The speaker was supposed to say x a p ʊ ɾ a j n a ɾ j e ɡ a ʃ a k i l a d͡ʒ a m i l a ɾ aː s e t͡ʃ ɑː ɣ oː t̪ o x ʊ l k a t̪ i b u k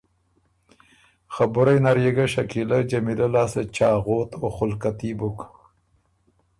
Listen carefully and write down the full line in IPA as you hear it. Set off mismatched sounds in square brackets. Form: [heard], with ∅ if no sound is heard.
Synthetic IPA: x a [b] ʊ ɾ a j n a ɾ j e ɡ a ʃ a k i l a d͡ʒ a m i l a [l] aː s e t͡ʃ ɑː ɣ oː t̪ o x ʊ l k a t̪ i b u k